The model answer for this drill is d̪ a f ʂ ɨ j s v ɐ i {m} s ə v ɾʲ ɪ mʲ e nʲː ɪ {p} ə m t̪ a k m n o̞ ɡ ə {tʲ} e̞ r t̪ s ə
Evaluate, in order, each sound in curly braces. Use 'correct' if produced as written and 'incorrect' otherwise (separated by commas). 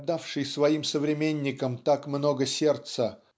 correct, incorrect, incorrect